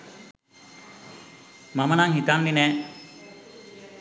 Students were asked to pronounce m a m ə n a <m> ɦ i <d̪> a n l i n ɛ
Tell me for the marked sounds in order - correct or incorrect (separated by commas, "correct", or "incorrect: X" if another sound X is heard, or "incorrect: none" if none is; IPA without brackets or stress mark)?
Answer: incorrect: ŋ, incorrect: t̪